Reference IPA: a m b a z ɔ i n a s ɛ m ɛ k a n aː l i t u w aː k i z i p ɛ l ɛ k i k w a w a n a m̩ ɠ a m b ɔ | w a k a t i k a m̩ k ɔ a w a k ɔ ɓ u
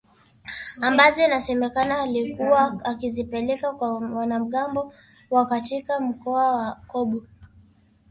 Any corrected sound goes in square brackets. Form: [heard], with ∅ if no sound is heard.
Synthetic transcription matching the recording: a m b a z ɔ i n a s ɛ m ɛ k a n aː l i [k] u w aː k i z i p ɛ l ɛ k [a] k w a w a n a m̩ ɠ a m b ɔ | w a k a t i k a m̩ k ɔ a w a k ɔ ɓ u